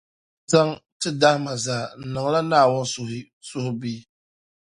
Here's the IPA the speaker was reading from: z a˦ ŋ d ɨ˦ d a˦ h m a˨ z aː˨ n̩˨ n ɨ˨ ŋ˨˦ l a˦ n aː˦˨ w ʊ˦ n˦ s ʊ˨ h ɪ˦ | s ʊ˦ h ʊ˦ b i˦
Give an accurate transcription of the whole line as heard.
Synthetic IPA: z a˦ ŋ t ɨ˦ d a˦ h m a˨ z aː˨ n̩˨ n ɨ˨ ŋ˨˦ l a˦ n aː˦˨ w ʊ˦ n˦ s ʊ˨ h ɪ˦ | s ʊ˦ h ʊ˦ b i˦